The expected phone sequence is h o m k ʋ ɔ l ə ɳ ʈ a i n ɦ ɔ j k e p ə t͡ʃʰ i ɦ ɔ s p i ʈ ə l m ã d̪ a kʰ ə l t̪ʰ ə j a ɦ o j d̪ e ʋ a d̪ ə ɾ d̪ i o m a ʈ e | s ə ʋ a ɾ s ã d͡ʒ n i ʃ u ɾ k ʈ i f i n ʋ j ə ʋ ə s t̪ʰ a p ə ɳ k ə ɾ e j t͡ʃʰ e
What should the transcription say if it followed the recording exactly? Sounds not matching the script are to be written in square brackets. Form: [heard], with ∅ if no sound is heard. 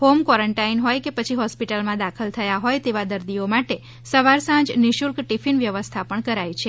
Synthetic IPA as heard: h o m k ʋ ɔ [ɾ] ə ɳ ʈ a i n ɦ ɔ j k e p ə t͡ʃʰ i ɦ ɔ s p i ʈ ə l m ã d̪ a kʰ ə l t̪ʰ ə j a ɦ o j [t̪] e ʋ a d̪ ə ɾ d̪ i o m a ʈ e | s ə ʋ a ɾ s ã d͡ʒ n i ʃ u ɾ k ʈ i f i n ʋ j ə ʋ ə s t̪ʰ a p ə ɳ k ə ɾ [a] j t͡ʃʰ e